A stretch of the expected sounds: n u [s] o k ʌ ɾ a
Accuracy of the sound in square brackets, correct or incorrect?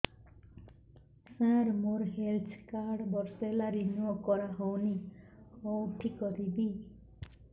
incorrect: none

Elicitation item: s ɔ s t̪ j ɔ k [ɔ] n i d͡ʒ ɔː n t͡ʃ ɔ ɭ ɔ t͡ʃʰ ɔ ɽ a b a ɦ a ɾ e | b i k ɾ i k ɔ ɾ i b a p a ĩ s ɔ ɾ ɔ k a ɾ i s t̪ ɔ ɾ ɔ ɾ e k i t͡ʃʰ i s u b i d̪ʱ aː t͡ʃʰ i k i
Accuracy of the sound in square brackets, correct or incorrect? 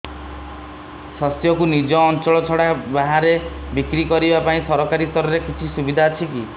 incorrect: u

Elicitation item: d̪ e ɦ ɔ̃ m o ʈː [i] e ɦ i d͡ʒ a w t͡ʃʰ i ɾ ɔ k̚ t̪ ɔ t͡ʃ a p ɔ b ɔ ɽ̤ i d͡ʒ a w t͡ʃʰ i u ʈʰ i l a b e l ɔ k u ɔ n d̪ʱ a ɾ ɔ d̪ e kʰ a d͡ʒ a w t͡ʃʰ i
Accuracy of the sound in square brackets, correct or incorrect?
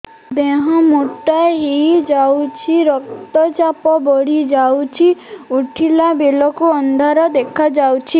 incorrect: a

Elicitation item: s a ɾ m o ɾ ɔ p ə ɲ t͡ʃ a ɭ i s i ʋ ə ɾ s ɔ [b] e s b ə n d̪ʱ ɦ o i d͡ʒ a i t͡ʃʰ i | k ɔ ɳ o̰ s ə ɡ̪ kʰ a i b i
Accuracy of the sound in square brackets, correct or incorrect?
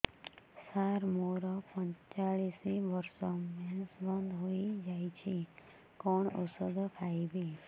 incorrect: m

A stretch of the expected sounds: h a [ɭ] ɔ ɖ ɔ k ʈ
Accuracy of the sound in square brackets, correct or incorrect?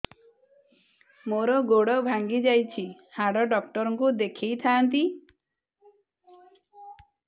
incorrect: ɽ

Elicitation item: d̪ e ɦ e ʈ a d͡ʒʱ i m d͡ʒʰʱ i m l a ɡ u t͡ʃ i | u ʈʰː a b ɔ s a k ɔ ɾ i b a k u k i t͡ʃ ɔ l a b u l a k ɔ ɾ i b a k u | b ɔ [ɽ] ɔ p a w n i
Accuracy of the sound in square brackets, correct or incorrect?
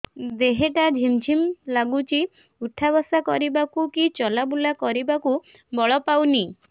incorrect: ɭ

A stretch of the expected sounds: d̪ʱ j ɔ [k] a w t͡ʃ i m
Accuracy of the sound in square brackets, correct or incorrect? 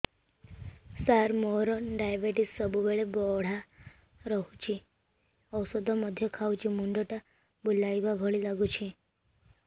incorrect: kʰ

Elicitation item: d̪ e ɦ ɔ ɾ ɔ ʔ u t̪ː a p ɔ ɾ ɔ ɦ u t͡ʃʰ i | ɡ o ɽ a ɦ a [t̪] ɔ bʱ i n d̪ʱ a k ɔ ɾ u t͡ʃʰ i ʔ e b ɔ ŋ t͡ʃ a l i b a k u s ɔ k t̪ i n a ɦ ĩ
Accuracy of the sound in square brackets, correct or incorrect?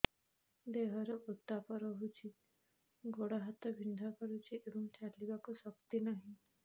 correct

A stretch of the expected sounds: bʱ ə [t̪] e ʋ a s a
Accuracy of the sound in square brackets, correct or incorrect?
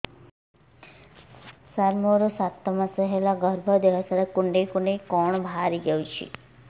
incorrect: d̪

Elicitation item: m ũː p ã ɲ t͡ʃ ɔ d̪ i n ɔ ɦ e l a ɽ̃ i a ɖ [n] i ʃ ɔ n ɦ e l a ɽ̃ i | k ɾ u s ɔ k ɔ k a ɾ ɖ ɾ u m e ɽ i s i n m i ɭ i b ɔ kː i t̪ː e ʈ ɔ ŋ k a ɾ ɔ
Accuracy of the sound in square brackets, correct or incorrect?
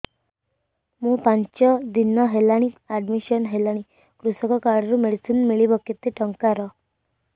incorrect: m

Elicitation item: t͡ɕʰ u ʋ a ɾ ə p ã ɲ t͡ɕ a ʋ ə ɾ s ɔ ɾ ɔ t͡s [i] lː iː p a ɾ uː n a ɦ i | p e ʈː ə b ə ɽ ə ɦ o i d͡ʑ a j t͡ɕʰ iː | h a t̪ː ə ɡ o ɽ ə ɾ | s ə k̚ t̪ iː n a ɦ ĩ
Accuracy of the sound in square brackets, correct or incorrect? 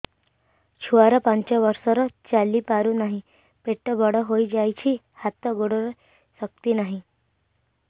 incorrect: a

